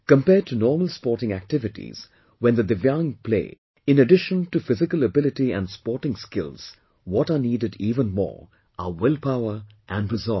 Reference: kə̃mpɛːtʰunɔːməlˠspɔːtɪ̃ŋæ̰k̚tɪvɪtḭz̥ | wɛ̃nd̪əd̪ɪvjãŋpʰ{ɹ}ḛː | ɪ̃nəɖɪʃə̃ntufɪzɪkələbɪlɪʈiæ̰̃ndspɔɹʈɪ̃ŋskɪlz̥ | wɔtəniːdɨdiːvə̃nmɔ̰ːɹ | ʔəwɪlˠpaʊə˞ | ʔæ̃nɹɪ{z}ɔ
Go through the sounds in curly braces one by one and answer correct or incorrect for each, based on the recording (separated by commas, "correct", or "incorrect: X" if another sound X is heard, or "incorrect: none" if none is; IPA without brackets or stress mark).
incorrect: l, correct